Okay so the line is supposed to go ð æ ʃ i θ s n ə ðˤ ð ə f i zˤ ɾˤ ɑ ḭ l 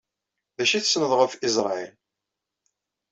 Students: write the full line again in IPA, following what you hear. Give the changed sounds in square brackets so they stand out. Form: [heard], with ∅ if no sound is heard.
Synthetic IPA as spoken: ð æ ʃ i θ s n ə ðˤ [ʁ] ə f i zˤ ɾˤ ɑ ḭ l